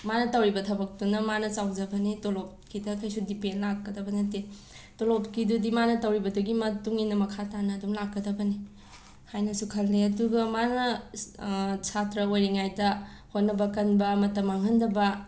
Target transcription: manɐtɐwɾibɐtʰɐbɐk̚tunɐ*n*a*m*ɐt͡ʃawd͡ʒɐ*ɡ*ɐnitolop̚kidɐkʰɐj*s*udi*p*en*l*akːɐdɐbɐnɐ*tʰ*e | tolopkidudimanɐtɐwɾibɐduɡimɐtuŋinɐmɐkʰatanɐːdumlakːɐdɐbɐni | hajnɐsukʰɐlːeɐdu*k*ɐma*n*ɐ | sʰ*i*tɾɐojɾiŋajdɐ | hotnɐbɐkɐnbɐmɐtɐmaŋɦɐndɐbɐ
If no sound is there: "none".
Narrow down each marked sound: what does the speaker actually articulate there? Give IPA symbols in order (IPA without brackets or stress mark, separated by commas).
m, n, b, s, p, l, t, ɡ, n, a